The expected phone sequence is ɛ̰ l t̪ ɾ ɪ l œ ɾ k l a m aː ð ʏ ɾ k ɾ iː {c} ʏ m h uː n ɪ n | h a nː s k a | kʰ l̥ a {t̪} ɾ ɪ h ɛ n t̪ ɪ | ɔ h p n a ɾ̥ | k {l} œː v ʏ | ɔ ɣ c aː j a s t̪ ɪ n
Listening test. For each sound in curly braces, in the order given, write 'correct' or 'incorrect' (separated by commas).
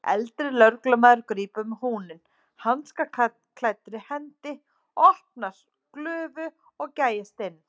incorrect, correct, correct